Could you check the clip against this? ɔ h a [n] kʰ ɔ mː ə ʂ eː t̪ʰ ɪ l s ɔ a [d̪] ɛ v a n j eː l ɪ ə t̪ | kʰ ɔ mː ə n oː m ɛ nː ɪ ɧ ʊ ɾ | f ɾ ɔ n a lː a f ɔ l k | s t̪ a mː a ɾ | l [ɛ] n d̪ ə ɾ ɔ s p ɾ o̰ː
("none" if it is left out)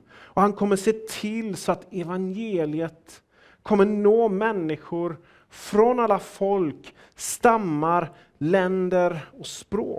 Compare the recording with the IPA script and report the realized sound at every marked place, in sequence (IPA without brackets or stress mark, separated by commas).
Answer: n, t̪, ɛ